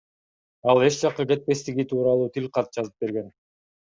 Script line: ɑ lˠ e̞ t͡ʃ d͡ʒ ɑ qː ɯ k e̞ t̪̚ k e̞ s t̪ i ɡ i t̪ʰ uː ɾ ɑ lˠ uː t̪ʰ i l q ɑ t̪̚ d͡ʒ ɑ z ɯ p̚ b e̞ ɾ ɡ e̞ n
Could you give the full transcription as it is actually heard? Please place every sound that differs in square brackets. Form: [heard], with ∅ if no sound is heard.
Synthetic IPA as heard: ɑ lˠ e̞ t͡ʃ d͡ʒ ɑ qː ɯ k e̞ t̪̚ [p] e̞ s t̪ i ɡ i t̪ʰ uː ɾ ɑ lˠ uː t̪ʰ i l q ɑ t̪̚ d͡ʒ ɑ z ɯ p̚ b e̞ ɾ ɡ e̞ n